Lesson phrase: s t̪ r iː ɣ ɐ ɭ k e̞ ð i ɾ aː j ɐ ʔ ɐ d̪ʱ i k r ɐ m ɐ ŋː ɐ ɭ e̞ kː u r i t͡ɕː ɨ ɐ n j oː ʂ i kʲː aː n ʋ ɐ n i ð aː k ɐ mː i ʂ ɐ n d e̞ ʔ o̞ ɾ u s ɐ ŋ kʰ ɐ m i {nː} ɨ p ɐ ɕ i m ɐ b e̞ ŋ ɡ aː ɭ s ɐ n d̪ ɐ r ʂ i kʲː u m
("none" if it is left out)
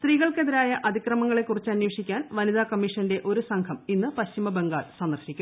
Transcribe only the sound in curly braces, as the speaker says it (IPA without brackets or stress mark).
nː